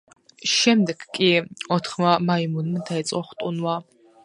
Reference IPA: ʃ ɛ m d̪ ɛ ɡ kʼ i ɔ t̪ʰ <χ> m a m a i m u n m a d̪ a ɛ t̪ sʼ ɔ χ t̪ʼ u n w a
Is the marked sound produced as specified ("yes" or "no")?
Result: yes